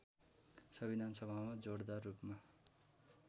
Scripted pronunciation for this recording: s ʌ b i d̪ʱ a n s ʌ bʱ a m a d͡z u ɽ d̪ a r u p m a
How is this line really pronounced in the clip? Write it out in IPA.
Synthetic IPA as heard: s ʌ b i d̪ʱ a n s ʌ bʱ a m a d͡z o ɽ d̪ a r u p m a